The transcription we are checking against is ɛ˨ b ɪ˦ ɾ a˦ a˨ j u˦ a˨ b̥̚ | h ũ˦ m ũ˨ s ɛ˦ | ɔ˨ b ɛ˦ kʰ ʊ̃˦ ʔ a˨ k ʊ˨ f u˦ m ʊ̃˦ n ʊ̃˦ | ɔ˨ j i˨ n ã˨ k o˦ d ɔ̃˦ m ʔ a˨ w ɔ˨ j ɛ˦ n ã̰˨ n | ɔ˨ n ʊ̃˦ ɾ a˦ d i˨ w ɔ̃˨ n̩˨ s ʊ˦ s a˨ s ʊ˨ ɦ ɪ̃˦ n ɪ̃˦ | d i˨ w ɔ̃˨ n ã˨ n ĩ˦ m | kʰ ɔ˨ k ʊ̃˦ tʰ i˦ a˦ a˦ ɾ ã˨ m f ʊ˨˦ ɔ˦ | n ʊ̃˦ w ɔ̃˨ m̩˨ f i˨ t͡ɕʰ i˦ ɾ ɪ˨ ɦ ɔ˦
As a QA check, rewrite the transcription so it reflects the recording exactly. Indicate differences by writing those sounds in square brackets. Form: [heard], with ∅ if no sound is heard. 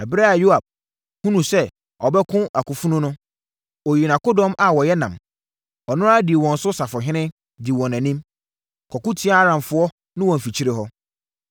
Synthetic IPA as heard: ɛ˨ b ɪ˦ ɾ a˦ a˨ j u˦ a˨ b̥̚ | h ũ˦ [n] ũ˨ s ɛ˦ | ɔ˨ b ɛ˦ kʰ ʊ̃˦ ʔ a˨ k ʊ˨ f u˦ [n] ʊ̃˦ n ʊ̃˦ | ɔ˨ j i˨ n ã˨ k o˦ d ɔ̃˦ m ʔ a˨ w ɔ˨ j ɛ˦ n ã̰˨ [m] | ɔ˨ n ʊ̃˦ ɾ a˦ d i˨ w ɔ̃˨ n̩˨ s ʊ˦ s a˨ [f] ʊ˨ ɦ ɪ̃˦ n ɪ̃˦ | d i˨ w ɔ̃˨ n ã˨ n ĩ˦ m | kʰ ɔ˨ k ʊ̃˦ tʰ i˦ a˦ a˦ ɾ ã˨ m f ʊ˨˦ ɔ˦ | n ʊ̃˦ w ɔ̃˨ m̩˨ f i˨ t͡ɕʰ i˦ ɾ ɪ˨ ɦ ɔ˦